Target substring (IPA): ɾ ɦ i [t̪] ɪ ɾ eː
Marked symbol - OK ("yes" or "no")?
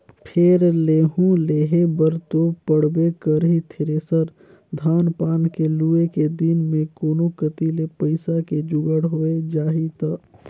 no